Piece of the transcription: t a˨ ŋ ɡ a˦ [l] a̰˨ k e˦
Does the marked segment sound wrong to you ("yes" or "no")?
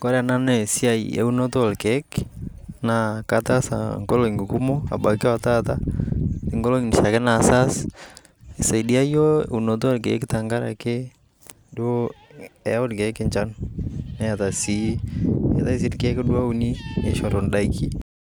yes